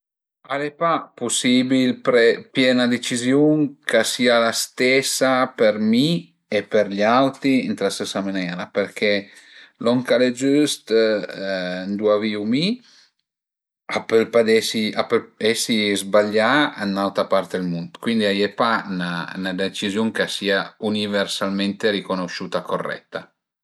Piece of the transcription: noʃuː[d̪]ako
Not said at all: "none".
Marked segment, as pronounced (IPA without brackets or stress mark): t̪